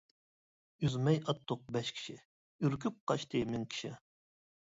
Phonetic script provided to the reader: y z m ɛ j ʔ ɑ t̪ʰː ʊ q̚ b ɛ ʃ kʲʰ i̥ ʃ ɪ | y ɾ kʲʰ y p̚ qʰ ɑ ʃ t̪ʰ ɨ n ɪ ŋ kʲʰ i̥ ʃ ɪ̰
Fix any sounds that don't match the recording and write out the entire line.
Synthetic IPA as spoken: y z m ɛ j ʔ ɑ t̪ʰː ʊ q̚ b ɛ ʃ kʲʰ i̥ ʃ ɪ | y ɾ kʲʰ y p̚ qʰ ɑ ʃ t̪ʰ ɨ m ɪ ŋ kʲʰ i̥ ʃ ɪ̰